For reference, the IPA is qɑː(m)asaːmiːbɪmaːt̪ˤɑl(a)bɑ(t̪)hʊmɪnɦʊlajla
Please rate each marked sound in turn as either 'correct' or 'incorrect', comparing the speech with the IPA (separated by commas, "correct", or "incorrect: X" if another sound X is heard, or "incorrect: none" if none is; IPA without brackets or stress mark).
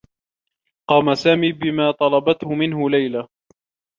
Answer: correct, incorrect: ɑ, correct